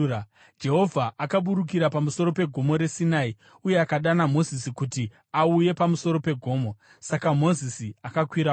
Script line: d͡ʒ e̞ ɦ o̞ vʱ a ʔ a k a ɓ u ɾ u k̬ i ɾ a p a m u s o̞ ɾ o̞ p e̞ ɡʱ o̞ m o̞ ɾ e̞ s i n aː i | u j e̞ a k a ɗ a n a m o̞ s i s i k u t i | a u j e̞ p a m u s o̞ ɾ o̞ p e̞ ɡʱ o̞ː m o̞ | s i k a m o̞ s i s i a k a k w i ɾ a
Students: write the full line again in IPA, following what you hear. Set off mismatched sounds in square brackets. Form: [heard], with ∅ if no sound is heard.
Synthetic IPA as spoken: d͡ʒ e̞ ɦ o̞ vʱ a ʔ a k a ɓ u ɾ u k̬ i ɾ a p a m u s o̞ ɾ o̞ p e̞ ɡʱ o̞ m o̞ ɾ e̞ s i n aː i | u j e̞ a k a ɗ a n a m o̞ [z] i s i k u t i | a u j e̞ p a m u s o̞ ɾ o̞ p e̞ ɡʱ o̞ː m o̞ | s [a] k a m o̞ [z] i s i a k a k w i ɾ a

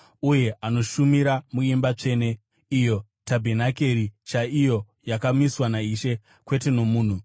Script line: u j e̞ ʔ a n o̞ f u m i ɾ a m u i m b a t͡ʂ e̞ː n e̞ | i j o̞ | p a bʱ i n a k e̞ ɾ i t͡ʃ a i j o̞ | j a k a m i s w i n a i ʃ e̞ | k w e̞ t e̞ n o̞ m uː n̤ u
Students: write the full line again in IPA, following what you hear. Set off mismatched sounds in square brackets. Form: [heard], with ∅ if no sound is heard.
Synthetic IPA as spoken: u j e̞ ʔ a n o̞ [ʃ] u m i ɾ a m u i m b a t͡ʂ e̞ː n e̞ | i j o̞ | [t] a bʱ [e] n a k e̞ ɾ i t͡ʃ a i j o̞ | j a k a m i s w [a] n a i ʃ e̞ | k w e̞ t e̞ n o̞ m uː n̤ u

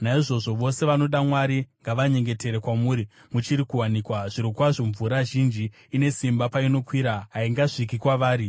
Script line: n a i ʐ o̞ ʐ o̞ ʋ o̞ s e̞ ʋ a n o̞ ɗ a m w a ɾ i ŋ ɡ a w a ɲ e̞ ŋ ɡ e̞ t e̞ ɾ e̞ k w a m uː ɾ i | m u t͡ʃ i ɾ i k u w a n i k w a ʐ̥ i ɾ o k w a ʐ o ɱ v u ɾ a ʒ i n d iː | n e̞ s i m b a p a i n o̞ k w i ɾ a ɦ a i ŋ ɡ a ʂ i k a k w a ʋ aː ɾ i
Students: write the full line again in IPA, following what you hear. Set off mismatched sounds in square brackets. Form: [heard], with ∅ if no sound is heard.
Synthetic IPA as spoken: n a i ʐ o̞ ʐ o̞ ʋ o̞ s e̞ ʋ a n o̞ ɗ a m w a ɾ i ŋ ɡ a [ʋ] a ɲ e̞ ŋ ɡ e̞ t e̞ ɾ e̞ k w a m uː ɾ i | m u t͡ʃ i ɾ i k u w a n i k w a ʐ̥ i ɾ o k w a ʐ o ɱ v u ɾ a ʒ i n [d͡ʒ] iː | n e̞ s i m b a p a i n o̞ k w i ɾ a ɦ a i ŋ ɡ a ʂ i k [i] k w a ʋ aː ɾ i

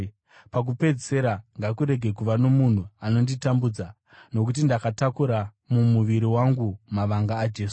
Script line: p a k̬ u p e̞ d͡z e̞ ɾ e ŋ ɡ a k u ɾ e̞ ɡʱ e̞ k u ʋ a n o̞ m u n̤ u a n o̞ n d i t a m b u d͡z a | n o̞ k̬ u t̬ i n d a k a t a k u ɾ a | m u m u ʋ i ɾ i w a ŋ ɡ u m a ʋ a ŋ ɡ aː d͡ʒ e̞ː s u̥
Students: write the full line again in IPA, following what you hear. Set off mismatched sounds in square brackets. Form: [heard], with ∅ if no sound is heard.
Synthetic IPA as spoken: p a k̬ u p e̞ d͡z e̞ ɾ [a] ŋ ɡ a k u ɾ e̞ ɡʱ e̞ k u ʋ a n o̞ m u n̤ u a n o̞ n d i t a m b u d͡z a | n o̞ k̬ u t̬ i n d a k a t a k u ɾ a | m u m u ʋ i ɾ i w a ŋ ɡ u m a ʋ a ŋ ɡ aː d͡ʒ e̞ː s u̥

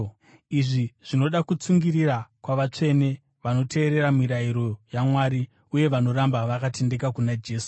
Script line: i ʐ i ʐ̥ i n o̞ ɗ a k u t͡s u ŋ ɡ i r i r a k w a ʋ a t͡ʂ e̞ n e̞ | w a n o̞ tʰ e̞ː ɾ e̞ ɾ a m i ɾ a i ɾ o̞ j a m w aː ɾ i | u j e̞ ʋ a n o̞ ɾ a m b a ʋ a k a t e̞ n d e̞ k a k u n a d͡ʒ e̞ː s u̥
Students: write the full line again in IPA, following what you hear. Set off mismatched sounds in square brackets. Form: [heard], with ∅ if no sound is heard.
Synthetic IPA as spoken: i ʐ i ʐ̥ i n o̞ ɗ a k u t͡s u ŋ ɡ i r i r a k w a ʋ a t͡ʂ e̞ n e̞ | [ʋ] a n o̞ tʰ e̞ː ɾ e̞ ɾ a m i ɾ a i ɾ o̞ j a m w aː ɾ i | u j e̞ ʋ a n o̞ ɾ a m b a ʋ a k a t e̞ n d e̞ k a k u n a d͡ʒ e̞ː s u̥

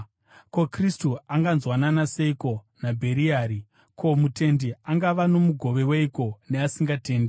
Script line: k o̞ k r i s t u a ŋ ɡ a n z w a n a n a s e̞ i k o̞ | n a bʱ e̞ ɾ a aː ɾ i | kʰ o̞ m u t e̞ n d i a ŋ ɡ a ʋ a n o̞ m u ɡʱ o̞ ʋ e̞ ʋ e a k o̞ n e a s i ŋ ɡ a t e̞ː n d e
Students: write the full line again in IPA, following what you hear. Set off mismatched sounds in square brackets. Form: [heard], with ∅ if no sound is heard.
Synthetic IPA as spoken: k o̞ k r i s t u a ŋ ɡ a n z w a n a n a s e̞ i k o̞ | n a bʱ e̞ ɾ [i] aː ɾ i | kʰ o̞ m u t e̞ n d i a ŋ ɡ a ʋ a n o̞ m u ɡʱ o̞ ʋ e̞ [w] e [i] k o̞ n e a s i ŋ ɡ a t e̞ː n d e

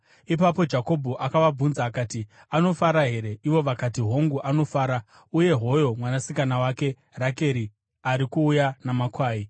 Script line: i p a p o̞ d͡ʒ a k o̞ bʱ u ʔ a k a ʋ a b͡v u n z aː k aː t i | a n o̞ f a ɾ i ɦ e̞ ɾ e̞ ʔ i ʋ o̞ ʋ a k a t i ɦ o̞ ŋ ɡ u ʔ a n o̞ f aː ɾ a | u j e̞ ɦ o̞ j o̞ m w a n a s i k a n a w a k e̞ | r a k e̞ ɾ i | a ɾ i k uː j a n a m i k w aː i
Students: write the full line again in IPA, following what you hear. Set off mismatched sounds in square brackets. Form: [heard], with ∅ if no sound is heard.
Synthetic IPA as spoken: i p a p o̞ d͡ʒ a k o̞ bʱ u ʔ a k a ʋ a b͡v u n z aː k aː t i | a n o̞ f a ɾ [a] ɦ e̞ ɾ e̞ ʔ i ʋ o̞ ʋ a k a t i ɦ o̞ ŋ ɡ u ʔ a n o̞ f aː ɾ a | u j e̞ ɦ o̞ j o̞ m w a n a s i k a n a w a k e̞ | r a k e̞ ɾ i | a ɾ i k uː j a n a m [a] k w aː i

